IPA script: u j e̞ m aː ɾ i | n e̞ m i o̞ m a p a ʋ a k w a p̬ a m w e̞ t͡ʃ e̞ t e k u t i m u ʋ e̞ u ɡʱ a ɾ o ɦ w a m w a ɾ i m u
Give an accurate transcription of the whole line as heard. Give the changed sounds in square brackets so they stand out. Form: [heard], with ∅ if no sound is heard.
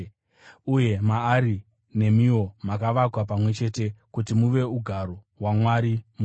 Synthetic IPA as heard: u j e̞ m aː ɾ i | n e̞ m i o̞ m a [k] a ʋ a k w a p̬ a m w e̞ t͡ʃ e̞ t e k u t i m u ʋ e̞ u ɡʱ a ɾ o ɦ w a m w a ɾ i m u